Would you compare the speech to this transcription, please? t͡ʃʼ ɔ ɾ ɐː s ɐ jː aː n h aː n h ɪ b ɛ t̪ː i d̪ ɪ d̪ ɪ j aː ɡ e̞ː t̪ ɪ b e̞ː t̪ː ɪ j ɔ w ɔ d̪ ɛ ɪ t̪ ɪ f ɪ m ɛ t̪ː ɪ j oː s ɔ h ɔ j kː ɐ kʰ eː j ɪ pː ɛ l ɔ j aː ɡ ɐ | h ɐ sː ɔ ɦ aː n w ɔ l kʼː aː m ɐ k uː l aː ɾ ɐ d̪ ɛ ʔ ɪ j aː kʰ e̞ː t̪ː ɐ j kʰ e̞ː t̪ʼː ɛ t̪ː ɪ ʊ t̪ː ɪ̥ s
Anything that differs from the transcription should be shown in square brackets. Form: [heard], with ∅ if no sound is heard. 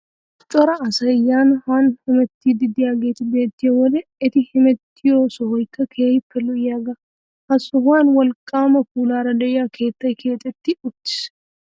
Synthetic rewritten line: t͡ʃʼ ɔ ɾ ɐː s ɐ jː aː n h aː n h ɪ [m] ɛ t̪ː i d̪ ɪ d̪ ɪ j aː ɡ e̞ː t̪ ɪ b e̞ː t̪ː ɪ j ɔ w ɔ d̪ ɛ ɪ t̪ ɪ [h] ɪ m ɛ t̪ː ɪ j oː s ɔ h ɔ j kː ɐ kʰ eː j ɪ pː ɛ l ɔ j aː ɡ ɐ | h ɐ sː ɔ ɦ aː n w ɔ l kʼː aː m ɐ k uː l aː ɾ ɐ d̪ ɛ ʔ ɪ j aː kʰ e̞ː t̪ː ɐ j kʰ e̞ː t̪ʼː ɛ t̪ː ɪ ʊ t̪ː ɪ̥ s